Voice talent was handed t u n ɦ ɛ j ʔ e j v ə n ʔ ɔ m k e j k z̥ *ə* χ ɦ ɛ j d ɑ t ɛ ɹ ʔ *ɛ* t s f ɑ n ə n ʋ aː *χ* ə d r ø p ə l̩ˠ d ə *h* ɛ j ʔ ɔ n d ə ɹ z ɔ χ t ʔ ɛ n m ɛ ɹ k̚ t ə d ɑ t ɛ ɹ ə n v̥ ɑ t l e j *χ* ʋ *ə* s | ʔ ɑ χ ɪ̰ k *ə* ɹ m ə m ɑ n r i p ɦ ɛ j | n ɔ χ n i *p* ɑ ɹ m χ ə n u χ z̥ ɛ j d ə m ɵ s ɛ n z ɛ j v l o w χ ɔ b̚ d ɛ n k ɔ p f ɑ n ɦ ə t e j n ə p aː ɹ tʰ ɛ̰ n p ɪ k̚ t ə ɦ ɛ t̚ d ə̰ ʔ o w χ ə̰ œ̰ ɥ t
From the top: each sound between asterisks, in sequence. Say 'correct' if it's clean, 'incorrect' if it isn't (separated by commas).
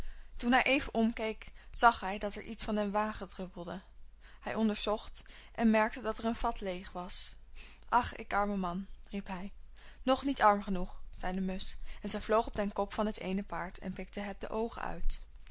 incorrect, incorrect, correct, correct, correct, incorrect, incorrect, incorrect